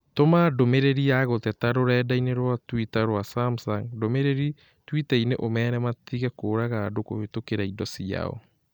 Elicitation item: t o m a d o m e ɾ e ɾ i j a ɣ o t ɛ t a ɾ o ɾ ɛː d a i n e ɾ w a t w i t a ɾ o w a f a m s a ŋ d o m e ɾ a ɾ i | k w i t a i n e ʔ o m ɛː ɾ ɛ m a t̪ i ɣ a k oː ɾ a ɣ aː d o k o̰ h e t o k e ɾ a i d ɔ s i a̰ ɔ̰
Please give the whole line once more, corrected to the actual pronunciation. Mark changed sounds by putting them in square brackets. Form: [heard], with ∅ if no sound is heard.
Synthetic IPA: t o m a d o m e ɾ e ɾ i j a ɣ o t ɛ t a ɾ o ɾ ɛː d a i n e ɾ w a t w i t a ɾ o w a [s] a m s a ŋ d o m e ɾ [e] ɾ i | [t] w i t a i n e ʔ o m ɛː ɾ ɛ m a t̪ i ɣ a k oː ɾ a ɣ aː d o k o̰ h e t o k e ɾ a i d ɔ s i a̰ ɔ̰